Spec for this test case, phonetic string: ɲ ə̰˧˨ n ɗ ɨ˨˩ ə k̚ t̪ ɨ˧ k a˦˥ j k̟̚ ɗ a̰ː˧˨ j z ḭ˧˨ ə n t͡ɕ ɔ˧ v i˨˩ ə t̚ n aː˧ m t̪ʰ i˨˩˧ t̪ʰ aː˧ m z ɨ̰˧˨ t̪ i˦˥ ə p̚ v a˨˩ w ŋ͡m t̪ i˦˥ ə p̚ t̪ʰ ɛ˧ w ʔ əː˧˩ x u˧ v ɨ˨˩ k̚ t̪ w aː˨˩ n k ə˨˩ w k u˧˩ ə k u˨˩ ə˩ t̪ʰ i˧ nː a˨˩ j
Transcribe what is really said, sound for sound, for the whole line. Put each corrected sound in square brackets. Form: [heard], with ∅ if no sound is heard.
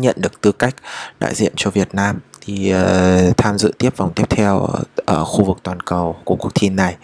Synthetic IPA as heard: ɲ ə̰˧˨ n ɗ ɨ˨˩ ə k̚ t̪ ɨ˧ k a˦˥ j k̟̚ ɗ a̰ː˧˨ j z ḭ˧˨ ə n t͡ɕ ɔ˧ v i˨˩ ə t̚ n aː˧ m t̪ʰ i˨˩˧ t̪ʰ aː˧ m z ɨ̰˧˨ t̪ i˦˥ ə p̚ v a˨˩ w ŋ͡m t̪ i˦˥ ə p̚ t̪ʰ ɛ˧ w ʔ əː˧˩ x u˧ v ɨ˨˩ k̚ t̪ w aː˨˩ n k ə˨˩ w k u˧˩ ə k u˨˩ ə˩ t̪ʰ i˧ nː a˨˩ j